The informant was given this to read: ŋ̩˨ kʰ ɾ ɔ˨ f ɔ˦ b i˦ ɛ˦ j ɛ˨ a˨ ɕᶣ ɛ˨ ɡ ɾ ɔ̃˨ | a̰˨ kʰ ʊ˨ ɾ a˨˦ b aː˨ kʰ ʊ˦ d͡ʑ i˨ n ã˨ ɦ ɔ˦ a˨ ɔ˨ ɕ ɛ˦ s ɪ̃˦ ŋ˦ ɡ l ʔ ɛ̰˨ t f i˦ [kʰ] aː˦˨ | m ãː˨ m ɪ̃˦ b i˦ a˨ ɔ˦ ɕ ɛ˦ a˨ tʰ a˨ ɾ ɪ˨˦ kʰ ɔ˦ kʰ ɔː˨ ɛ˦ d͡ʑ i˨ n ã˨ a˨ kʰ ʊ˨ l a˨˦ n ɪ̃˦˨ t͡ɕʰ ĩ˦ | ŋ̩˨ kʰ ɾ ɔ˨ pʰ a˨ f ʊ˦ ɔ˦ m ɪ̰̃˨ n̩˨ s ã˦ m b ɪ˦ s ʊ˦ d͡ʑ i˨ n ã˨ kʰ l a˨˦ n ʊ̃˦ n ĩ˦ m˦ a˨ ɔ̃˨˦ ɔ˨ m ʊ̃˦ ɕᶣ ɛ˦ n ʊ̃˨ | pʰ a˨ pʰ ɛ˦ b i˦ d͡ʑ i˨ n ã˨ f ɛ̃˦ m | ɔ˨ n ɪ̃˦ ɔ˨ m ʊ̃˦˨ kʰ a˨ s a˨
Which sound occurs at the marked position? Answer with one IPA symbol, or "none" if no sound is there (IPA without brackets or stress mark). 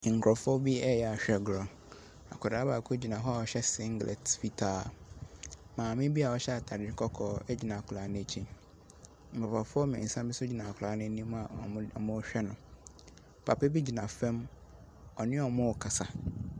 tʰ